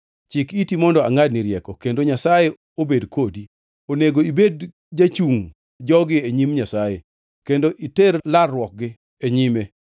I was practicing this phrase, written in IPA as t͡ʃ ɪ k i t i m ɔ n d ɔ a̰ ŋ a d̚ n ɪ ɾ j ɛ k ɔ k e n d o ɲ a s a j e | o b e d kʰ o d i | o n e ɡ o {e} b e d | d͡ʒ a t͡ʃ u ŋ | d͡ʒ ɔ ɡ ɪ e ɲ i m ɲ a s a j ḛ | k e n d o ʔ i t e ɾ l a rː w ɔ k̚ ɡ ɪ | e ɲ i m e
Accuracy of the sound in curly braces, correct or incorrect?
incorrect